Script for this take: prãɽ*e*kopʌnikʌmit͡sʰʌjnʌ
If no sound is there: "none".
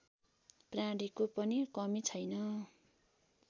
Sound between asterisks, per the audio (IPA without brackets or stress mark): i